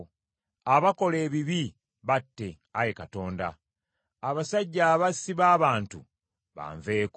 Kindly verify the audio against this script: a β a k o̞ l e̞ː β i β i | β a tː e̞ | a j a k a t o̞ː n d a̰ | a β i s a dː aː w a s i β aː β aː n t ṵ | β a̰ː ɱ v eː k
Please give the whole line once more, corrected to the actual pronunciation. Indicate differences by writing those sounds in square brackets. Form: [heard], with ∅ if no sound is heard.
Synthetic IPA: a β a k o̞ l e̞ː β i β i | β a tː e̞ | a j [e] k a t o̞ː n d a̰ | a β [a] s a [ɟː] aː [β] a s i β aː β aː n t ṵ | β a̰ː ɱ v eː k